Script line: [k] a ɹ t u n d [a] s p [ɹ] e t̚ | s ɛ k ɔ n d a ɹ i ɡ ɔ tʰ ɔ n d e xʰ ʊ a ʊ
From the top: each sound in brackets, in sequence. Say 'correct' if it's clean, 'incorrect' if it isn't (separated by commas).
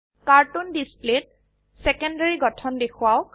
correct, incorrect, incorrect